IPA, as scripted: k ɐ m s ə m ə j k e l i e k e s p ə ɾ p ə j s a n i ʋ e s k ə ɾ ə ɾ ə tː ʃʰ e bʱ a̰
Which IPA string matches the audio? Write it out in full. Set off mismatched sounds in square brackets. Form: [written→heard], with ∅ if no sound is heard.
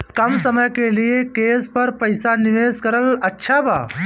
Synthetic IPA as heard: k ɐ m s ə m ə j k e l i e k e s p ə ɾ p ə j s a n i ʋ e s k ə ɾ ə [ɾ→l] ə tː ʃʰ [e→a] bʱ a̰